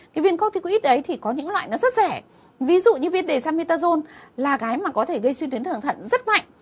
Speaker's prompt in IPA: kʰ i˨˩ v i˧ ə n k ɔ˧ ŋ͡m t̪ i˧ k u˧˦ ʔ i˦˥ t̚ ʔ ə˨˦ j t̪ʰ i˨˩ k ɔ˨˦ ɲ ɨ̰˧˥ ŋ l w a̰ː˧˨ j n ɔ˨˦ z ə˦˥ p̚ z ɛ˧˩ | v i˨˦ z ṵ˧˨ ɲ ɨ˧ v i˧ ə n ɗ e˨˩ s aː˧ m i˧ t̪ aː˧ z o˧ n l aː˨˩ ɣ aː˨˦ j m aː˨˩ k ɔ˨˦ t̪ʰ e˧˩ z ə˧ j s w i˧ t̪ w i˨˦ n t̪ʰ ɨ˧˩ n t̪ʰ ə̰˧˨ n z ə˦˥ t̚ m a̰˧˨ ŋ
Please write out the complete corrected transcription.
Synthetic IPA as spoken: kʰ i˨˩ v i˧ ə n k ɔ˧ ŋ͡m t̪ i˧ k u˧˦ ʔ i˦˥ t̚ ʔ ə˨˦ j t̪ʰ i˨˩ k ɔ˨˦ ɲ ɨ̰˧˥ ŋ l w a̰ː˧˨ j n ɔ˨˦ z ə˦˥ t̚ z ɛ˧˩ | v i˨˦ z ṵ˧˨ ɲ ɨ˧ v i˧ ə n ɗ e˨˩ s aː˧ m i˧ t̪ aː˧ z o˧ n l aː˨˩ ɣ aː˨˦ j m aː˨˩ k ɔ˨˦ t̪ʰ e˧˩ ɣ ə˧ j s w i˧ t̪ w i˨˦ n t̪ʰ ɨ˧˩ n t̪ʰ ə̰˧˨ n z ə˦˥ t̚ m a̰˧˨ ŋ

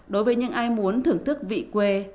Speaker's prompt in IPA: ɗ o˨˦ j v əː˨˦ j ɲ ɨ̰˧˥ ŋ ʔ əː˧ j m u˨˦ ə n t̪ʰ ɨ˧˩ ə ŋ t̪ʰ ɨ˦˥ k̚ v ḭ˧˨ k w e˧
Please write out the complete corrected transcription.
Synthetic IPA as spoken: ɗ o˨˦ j v əː˨˦ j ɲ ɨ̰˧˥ ŋ ʔ aː˧ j m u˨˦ ə n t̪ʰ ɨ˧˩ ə ŋ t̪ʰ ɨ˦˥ k̚ v ḭ˧˨ k w e˧

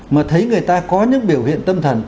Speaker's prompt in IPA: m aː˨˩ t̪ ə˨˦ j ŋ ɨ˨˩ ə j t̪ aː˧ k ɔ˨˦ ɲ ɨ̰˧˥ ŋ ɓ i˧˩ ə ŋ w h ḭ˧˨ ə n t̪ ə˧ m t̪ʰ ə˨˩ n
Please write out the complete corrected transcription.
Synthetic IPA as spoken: m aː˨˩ t̪ʰ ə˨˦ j ŋ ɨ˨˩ ə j t̪ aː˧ k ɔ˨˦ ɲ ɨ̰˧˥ ŋ ɓ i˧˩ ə w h ḭ˧˨ ə n t̪ ə˧ m t̪ʰ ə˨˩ n

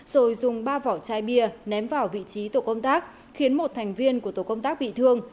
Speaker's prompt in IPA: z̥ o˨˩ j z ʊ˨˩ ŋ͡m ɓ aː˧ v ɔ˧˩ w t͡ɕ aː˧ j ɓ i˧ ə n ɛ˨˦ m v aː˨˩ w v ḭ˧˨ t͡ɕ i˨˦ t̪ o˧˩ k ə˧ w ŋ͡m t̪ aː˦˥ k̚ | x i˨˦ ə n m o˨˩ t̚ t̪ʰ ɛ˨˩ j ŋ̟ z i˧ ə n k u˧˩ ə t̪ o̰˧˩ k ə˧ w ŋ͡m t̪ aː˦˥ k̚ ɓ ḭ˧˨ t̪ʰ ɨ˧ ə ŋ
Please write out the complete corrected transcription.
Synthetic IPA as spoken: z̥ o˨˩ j z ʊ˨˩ ŋ͡m ɓ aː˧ v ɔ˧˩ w t͡ɕ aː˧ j ɓ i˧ ə n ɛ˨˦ m v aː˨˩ w v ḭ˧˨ t͡ɕ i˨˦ t̪ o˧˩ k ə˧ w ŋ͡m t̪ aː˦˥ k̚ | x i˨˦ ə n m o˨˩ t̚ t̪ʰ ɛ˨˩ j ŋ̟ v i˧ ə n k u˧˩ ə t̪ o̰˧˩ k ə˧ w ŋ͡m t̪ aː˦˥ k̚ ɓ ḭ˧˨ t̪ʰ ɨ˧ ə ŋ

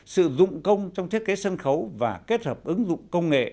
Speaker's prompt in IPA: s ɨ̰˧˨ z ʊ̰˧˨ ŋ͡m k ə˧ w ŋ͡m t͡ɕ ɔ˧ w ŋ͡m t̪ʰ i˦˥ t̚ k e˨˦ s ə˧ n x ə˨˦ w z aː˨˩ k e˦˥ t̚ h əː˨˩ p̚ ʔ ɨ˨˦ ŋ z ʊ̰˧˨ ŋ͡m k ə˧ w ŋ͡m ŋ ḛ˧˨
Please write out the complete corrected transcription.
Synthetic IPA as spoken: s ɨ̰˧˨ z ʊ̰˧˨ ŋ͡m k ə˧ w ŋ͡m t͡ɕ ɔ˧ w ŋ͡m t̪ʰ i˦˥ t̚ k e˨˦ s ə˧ n x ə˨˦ w v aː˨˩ k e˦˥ t̚ h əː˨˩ p̚ ʔ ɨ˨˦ ŋ z ʊ̰˧˨ ŋ͡m k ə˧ w ŋ͡m ŋ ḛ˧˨

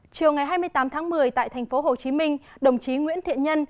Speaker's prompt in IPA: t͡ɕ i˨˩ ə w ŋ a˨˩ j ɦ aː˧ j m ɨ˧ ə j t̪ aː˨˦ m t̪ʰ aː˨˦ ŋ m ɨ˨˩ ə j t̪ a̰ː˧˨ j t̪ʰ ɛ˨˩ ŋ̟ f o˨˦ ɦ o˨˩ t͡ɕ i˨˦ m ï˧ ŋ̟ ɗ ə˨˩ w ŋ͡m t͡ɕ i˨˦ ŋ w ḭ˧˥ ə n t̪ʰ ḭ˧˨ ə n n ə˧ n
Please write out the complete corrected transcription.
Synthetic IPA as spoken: t͡ɕ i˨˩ ə w ŋ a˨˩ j ɦ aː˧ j m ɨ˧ ə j t̪ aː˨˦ m t̪ʰ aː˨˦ ŋ m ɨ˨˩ ə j t̪ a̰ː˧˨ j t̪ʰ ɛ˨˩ ŋ̟ f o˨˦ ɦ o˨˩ t͡ɕ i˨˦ m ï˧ ŋ̟ ɗ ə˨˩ w ŋ͡m t͡ɕ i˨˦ ŋ w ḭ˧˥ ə n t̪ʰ ḭ˧˨ ə n ɲ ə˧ n

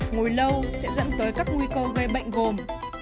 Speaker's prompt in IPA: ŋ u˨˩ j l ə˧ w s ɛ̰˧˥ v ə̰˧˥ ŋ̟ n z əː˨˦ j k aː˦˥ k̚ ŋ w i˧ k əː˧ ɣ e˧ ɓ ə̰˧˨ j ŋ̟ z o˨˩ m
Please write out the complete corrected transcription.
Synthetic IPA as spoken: ŋ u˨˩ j l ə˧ w s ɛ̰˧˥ z ə̰˧˥ n z əː˨˦ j k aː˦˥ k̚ ŋ w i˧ k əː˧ ɣ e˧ ɓ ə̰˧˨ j ŋ̟ ɣ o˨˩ m

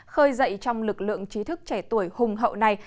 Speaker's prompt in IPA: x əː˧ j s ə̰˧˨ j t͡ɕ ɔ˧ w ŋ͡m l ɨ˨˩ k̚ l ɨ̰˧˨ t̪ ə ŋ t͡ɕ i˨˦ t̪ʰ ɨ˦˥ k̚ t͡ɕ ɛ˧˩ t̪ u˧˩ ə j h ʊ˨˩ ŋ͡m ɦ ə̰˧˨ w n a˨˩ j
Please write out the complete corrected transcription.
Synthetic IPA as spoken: x əː˧ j z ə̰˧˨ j t͡ɕ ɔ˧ w ŋ͡m l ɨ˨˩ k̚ l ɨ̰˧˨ ə ŋ t͡ɕ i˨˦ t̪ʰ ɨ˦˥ k̚ t͡ɕ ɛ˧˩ t̪ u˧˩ ə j h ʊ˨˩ ŋ͡m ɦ ə̰˧˨ w n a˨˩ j

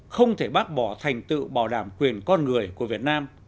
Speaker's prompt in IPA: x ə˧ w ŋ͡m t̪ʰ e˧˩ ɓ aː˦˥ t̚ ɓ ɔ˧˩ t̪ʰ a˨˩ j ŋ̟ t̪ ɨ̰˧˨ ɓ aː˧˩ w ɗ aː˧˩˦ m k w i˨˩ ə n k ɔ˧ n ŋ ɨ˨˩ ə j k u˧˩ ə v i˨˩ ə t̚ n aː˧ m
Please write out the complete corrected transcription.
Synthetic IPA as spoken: x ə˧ w ŋ͡m t̪ʰ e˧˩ ɓ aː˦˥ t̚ ɓ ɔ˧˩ t̪ʰ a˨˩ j ŋ̟ t̪ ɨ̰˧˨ ɓ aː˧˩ w ɗ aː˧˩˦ m k w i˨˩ ə n k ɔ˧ n ŋ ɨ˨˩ ə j k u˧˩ ə v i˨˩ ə t̚ n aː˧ m

